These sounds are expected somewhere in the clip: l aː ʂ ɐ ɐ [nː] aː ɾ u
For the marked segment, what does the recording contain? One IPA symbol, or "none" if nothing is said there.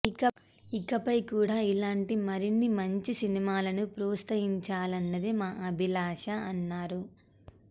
nː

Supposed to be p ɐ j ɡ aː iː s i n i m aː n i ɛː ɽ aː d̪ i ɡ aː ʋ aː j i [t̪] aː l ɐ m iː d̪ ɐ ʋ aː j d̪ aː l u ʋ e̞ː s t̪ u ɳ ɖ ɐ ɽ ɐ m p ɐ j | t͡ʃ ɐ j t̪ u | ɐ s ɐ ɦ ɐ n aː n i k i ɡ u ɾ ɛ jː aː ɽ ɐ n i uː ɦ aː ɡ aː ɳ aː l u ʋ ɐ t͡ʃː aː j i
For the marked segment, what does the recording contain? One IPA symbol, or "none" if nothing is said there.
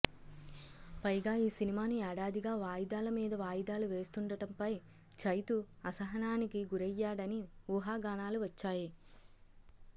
d̪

